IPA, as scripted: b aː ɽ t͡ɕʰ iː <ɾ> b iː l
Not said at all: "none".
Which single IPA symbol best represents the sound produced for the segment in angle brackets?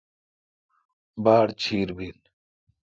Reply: ɾ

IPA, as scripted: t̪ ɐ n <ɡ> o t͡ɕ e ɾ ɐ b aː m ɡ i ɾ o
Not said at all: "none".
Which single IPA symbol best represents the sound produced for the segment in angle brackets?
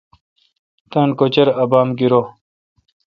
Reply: k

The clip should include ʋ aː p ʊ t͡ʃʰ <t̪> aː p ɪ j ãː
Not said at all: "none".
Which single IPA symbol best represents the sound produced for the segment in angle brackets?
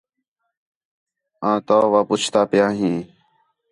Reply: t̪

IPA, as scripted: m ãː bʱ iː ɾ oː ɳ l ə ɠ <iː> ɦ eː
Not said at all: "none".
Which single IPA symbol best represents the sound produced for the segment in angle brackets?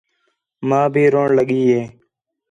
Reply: iː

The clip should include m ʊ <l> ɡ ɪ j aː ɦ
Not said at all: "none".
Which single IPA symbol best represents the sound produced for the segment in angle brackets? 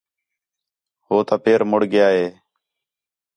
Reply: ɽ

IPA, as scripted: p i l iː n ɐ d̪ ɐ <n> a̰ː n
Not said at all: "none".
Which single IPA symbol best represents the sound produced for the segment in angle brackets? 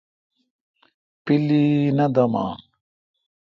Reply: m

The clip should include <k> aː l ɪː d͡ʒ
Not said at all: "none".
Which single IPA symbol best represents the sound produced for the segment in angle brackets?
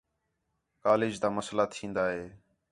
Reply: k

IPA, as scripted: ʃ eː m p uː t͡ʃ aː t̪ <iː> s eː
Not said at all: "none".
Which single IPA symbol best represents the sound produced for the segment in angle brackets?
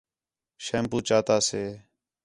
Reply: aː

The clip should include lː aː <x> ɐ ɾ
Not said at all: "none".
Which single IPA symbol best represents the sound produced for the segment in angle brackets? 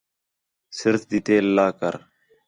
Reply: k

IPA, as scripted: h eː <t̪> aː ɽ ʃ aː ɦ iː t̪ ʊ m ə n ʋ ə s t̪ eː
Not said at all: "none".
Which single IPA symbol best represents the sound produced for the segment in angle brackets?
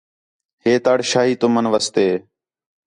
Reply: t̪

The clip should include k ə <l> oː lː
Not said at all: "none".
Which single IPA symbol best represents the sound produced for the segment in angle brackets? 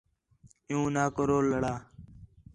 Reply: ɾ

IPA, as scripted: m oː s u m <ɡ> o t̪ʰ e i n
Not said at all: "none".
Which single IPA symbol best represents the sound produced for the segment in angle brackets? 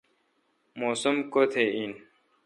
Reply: k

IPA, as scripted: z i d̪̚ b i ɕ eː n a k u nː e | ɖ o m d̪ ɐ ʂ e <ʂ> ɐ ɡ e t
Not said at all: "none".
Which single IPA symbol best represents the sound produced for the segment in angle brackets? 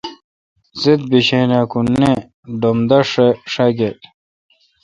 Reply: ʂ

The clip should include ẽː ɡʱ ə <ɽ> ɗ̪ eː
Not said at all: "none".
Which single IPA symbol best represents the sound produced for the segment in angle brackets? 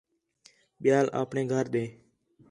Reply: ɾ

